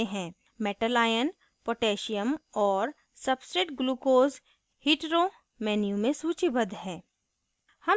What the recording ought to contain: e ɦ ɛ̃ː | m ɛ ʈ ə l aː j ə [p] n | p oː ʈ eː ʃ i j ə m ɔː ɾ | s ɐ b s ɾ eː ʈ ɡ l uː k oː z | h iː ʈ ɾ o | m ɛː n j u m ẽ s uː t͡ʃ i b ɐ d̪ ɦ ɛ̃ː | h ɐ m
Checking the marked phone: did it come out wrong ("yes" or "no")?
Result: yes